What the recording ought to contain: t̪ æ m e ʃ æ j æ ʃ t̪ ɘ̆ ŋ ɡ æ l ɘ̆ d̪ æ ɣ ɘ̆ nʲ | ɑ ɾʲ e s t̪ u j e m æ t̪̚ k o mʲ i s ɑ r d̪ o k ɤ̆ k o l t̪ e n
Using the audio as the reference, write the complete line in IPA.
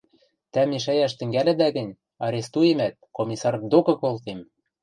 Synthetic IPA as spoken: t̪ æ m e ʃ æ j æ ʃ t̪ ɘ̆ ŋ ɡ æ l ɘ̆ d̪ æ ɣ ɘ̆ nʲ | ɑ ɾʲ e s t̪ u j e m æ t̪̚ k o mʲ i s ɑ r d̪ o k ɤ̆ k o l t̪ e m